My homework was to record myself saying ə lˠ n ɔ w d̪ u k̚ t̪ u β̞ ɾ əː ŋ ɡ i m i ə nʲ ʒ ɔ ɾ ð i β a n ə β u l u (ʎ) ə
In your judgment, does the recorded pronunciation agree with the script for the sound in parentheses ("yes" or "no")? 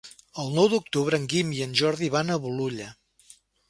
yes